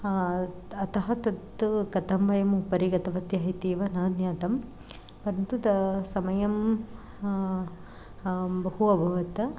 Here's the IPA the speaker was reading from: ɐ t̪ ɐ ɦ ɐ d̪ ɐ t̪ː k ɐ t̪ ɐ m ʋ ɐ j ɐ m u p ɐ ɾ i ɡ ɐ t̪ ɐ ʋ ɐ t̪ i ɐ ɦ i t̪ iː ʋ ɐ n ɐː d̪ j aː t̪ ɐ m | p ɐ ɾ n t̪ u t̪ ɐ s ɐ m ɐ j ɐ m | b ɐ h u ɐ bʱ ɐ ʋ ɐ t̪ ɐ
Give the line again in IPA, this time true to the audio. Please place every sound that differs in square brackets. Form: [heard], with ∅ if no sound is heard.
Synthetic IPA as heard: ɐ t̪ ɐ ɦ ɐ [t̪] ɐ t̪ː k ɐ t̪ ɐ m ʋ ɐ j ɐ m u p ɐ ɾ i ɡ ɐ t̪ ɐ ʋ ɐ t̪ [j] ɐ ɦ i t̪ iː ʋ ɐ n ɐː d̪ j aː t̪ ɐ m | p ɐ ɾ n t̪ u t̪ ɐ s ɐ m ɐ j ɐ m | b ɐ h u ɐ bʱ ɐ ʋ ɐ t̪ ɐ

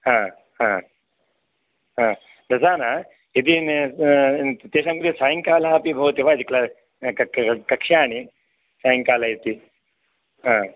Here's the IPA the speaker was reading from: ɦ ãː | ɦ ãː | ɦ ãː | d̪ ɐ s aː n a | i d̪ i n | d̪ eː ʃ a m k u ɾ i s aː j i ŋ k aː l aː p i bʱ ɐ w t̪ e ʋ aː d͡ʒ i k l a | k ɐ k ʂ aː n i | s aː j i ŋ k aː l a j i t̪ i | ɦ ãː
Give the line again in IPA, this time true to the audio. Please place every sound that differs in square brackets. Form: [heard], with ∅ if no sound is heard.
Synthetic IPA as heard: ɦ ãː | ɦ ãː | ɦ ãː | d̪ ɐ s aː n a | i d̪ i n | [t̪] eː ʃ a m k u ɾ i s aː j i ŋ k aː l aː p i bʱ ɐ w t̪ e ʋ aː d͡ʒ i k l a | k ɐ k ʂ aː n i | s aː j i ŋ k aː l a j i t̪ i | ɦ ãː

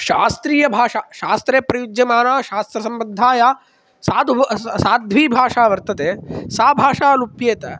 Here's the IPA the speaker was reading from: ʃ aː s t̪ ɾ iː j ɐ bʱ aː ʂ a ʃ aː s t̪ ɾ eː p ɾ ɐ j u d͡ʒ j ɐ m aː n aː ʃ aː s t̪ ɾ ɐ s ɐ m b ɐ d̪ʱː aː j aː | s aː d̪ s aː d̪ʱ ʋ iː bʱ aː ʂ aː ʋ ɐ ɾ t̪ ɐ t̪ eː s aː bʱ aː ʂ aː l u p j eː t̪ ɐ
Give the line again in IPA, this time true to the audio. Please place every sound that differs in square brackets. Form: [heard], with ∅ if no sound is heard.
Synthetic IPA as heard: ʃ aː s t̪ ɾ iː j ɐ bʱ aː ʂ a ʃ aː s t̪ ɾ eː p ɾ ɐ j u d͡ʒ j ɐ m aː n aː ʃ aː s t̪ ɾ ɐ s ɐ m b ɐ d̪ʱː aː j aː | s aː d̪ s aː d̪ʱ ʋ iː bʱ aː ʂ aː ʋ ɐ ɾ t̪ ɐ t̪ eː s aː bʱ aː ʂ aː l u p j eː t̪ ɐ

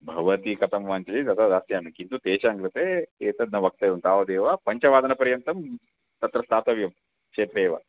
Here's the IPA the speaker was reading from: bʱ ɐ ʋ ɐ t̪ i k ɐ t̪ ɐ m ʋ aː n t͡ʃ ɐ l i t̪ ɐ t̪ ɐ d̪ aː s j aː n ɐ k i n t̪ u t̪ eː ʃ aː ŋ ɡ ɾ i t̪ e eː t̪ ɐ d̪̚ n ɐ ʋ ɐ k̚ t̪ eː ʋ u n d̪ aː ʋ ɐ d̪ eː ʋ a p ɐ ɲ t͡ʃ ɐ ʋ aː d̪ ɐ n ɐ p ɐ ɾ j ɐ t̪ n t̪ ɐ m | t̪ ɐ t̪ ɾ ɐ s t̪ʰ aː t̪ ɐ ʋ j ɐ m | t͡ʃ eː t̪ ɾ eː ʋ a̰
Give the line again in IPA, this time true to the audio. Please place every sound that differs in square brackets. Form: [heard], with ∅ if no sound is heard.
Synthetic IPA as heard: bʱ ɐ ʋ ɐ t̪ i k ɐ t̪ ɐ m ʋ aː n t͡ʃ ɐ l i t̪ ɐ t̪ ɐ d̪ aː s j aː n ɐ k i n t̪ u t̪ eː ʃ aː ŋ ɡ ɾ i t̪ e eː t̪ ɐ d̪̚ n ɐ ʋ ɐ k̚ t̪ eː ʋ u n [t̪] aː ʋ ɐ d̪ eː ʋ a p ɐ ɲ t͡ʃ ɐ ʋ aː d̪ ɐ n ɐ p ɐ ɾ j ɐ [∅] n t̪ ɐ m | t̪ ɐ t̪ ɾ ɐ s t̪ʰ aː t̪ ɐ ʋ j ɐ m | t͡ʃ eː t̪ ɾ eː ʋ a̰

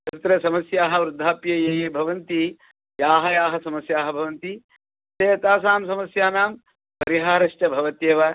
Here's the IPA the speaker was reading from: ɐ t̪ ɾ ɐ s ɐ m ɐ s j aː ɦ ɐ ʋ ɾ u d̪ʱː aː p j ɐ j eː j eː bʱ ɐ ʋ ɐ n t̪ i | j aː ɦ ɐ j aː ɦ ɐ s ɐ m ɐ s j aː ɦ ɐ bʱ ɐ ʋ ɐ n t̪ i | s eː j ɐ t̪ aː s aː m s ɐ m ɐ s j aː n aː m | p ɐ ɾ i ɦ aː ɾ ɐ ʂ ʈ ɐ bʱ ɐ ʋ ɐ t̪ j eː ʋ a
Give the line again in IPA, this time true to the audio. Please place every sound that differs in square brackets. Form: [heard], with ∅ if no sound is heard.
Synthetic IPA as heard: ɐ t̪ ɾ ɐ s ɐ m ɐ s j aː ɦ ɐ ʋ ɾ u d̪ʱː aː p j ɐ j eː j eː bʱ ɐ ʋ ɐ n t̪ i | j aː ɦ ɐ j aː ɦ ɐ s ɐ m ɐ s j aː ɦ ɐ bʱ ɐ ʋ ɐ n t̪ i | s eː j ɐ t̪ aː s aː m s ɐ m ɐ s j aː n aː m | p ɐ ɾ i ɦ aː ɾ ɐ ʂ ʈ ɐ bʱ ɐ ʋ ɐ t̪ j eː ʋ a

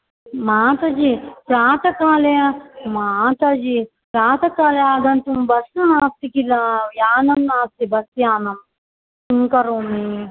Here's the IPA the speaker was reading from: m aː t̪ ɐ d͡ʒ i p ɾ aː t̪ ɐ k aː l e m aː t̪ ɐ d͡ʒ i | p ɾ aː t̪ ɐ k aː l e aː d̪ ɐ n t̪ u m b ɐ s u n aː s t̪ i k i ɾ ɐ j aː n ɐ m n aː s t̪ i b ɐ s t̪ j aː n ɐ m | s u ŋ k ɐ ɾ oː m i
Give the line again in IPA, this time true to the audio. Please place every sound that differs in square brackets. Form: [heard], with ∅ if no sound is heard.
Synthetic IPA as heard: m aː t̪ ɐ d͡ʒ i p ɾ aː t̪ ɐ k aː l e m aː t̪ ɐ d͡ʒ i | p ɾ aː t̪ ɐ k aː l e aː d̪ ɐ n t̪ u m b ɐ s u n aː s t̪ i k i [l] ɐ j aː n ɐ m n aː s t̪ i b ɐ s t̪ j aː n ɐ m | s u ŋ k ɐ ɾ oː m i

